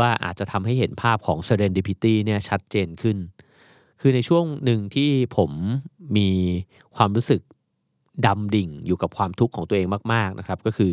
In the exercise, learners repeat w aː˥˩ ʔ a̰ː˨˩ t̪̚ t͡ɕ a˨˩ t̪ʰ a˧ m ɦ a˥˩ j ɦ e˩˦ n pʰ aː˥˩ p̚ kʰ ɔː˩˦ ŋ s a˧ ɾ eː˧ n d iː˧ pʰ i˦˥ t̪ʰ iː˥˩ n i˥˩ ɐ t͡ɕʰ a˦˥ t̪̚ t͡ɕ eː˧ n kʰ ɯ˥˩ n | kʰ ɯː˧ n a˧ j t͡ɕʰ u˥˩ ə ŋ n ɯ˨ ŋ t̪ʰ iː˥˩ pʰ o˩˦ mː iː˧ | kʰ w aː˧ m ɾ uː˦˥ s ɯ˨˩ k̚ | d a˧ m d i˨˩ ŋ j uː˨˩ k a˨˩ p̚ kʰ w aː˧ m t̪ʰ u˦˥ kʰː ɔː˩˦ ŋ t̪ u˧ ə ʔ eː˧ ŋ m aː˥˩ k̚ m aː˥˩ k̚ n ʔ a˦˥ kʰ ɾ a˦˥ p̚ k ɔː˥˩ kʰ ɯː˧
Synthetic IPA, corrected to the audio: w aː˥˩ ʔ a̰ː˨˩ t̪̚ t͡ɕ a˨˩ t̪ʰ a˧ m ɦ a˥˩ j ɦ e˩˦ n pʰ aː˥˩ p̚ kʰ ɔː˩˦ ŋ s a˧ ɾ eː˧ n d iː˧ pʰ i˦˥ t̪ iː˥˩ n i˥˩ ɐ t͡ɕʰ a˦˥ t̪̚ t͡ɕ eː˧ n kʰ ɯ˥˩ n | kʰ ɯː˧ n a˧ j t͡ɕʰ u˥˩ ə ŋ n ɯ˨ ŋ t̪ʰ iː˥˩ pʰ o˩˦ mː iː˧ | kʰ w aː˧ m ɾ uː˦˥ s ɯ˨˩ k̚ | d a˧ m d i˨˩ ŋ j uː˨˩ k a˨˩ p̚ kʰ w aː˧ m t̪ʰ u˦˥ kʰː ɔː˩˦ ŋ t̪ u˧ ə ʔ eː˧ ŋ m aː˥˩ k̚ m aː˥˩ k̚ n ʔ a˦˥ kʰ ɾ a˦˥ p̚ k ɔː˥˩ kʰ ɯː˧